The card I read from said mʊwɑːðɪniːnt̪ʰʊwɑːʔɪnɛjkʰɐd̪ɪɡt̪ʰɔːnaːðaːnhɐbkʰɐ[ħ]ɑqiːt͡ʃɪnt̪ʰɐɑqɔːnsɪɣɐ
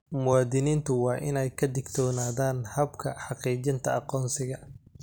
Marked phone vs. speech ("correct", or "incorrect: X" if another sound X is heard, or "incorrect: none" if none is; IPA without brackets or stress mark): correct